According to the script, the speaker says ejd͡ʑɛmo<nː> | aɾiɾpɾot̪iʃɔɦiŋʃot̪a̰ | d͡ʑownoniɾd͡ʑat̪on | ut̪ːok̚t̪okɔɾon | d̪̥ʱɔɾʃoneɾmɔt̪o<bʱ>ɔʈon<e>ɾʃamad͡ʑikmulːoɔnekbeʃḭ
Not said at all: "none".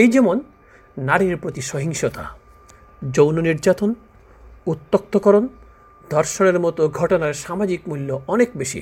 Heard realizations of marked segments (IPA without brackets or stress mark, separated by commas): nː, ɡʱ, a